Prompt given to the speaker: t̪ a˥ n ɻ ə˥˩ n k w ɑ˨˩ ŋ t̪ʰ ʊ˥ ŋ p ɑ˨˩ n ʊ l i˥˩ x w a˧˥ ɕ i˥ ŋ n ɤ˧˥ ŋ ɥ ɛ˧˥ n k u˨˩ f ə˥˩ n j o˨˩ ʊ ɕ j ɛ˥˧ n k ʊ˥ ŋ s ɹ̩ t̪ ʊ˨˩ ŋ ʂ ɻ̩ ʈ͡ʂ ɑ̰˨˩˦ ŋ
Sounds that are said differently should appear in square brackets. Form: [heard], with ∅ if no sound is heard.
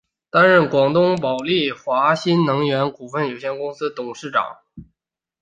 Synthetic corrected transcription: t̪ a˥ n ɻ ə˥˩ n k w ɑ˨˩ ŋ [t̪] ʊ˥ ŋ p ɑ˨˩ [∅] ʊ l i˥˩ x w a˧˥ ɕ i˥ [n] n ɤ˧˥ ŋ ɥ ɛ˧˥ n k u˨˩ f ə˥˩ n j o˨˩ ʊ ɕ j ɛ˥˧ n k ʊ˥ ŋ s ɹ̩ t̪ ʊ˨˩ ŋ ʂ ɻ̩ ʈ͡ʂ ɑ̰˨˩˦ ŋ